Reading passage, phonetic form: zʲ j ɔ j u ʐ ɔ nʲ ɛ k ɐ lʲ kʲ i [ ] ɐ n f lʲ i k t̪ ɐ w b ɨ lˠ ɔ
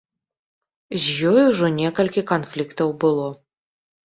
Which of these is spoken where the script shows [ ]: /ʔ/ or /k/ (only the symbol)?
k